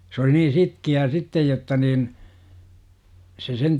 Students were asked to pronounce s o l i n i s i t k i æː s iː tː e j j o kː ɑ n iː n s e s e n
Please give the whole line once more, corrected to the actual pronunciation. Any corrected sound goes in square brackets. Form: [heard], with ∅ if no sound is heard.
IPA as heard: s o l i n [iː] s i t k i æː s [i] tː e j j o [tː] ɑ n iː n s e s e n